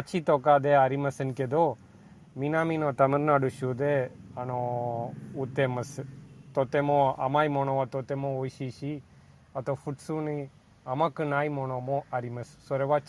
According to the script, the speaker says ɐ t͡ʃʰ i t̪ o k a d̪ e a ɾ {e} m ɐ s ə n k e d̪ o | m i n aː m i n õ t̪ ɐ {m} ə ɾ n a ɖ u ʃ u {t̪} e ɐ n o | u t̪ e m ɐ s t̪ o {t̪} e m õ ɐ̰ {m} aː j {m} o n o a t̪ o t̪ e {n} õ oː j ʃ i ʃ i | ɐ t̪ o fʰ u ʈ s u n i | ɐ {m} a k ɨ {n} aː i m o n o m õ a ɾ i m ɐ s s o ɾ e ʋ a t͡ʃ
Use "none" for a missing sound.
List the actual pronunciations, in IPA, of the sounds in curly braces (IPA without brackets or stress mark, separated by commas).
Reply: i, m, d̪, t̪, m, m, m, m, n